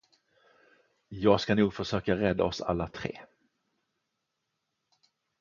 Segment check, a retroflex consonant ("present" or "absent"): present